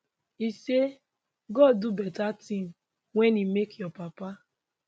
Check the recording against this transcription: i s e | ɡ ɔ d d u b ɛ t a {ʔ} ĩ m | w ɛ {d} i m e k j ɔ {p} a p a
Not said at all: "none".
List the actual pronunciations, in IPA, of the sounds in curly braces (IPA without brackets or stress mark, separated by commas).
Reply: t, n, p